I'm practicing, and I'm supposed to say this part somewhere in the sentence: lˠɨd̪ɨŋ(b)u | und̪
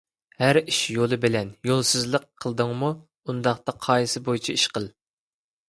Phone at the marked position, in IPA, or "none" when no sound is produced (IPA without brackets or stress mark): m